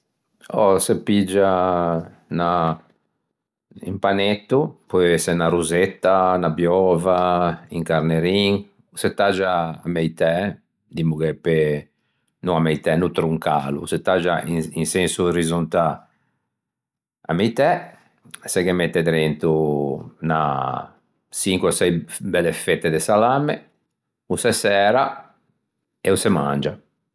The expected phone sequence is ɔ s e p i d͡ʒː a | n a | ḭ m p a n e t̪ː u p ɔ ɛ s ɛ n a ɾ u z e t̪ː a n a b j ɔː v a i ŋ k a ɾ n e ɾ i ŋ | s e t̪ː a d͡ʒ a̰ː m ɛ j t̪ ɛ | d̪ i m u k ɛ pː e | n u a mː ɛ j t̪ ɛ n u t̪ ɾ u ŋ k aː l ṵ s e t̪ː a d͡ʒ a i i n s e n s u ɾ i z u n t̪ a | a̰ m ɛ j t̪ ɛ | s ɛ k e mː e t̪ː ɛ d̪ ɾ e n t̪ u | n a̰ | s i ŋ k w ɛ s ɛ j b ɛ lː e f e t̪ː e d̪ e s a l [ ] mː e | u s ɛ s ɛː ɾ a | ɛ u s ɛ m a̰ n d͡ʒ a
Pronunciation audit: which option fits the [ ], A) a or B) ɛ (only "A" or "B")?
A